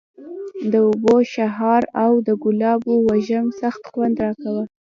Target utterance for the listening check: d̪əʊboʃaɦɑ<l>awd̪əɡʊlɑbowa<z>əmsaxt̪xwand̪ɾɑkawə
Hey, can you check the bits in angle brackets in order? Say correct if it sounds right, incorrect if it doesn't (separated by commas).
incorrect, incorrect